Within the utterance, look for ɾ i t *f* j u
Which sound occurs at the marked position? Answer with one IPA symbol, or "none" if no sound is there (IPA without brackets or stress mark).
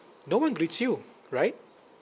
s